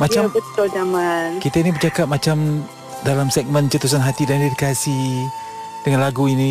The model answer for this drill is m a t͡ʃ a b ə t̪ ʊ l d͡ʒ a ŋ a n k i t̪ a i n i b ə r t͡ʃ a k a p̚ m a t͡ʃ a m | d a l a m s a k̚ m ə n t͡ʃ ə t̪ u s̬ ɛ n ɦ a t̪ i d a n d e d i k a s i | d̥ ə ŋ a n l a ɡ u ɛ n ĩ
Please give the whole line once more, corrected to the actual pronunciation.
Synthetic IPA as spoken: m a t͡ʃ a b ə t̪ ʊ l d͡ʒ a m a n k i t̪ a i n i b ə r t͡ʃ a k a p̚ m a t͡ʃ a m | d a l a m s ɛ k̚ m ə n t͡ʃ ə t̪ u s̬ a n ɦ a t̪ i d a n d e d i k a s i | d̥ ə ŋ a n l a ɡ u i n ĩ